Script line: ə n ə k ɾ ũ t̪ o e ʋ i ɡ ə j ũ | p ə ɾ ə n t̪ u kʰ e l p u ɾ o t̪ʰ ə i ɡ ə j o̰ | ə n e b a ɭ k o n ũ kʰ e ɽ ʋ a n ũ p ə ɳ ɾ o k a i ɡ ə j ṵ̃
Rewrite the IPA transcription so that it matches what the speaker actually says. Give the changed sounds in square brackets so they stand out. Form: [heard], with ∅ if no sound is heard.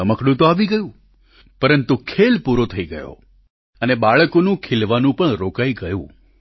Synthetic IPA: ə [m] ə k [ɽ] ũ t̪ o [a] ʋ i ɡ ə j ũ | p ə ɾ ə n t̪ u kʰ e l p u ɾ o t̪ʰ ə i ɡ ə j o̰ | ə n e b a ɭ k o n ũ kʰ e [l] ʋ a n ũ p ə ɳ ɾ o k a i ɡ ə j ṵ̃